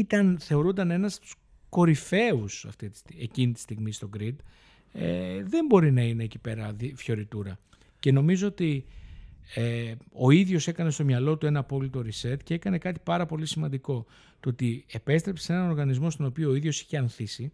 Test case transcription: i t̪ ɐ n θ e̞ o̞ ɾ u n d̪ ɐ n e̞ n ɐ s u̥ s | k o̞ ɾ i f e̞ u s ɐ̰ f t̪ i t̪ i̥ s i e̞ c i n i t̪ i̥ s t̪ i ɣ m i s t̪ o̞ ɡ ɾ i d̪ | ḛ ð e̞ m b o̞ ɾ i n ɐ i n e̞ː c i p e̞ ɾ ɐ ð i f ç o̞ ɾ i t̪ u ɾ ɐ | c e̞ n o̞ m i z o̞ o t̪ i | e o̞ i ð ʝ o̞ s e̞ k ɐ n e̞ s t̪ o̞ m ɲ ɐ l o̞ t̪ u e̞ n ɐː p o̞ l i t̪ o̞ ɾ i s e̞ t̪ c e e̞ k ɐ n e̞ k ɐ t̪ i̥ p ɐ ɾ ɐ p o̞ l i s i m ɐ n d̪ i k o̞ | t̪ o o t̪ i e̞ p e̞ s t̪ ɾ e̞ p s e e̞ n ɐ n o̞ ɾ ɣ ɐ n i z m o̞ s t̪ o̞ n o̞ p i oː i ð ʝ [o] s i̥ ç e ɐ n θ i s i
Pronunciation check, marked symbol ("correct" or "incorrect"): correct